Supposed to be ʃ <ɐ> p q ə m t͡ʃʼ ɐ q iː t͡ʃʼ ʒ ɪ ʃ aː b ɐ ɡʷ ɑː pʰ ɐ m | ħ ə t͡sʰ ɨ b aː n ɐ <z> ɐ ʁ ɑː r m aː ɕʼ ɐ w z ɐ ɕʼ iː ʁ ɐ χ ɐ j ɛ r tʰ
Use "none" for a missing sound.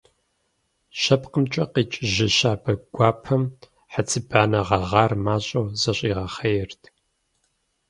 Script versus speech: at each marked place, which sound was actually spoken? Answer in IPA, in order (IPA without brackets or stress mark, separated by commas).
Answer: ɐ, ʁ